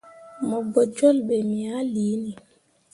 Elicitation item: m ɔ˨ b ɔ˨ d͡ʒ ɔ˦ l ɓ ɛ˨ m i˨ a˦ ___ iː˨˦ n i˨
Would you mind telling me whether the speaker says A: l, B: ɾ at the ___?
A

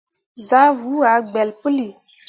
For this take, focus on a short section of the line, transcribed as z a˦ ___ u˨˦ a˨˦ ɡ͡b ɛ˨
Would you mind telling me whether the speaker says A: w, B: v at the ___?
B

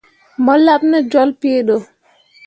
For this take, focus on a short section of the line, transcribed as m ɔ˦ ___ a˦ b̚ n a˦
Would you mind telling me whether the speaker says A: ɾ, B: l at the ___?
B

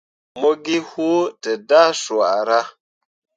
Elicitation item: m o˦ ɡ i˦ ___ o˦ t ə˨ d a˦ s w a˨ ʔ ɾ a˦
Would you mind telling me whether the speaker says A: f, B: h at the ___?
B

